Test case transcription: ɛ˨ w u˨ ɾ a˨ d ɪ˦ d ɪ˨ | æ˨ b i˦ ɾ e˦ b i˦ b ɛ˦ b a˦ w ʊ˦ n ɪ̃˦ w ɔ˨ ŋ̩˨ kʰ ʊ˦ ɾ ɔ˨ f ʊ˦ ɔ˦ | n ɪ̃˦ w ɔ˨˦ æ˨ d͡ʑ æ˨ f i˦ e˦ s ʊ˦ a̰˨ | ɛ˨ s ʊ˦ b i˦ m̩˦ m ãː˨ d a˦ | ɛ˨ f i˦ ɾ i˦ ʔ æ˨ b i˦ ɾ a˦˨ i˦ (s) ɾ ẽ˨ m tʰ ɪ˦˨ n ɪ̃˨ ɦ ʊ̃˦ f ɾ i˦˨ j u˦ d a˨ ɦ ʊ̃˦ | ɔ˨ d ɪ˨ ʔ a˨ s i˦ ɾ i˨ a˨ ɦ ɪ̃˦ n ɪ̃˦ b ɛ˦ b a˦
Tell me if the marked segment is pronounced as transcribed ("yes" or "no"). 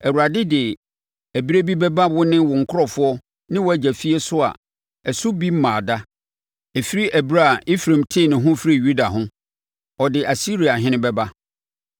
no